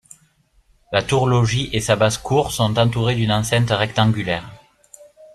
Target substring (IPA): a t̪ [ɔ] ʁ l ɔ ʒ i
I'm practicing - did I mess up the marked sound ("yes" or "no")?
yes